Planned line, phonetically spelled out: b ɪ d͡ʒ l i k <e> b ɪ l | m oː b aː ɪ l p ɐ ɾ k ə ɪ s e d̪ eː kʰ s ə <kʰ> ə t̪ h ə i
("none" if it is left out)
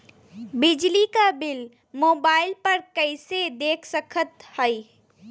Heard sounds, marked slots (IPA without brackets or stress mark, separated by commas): a, kʰ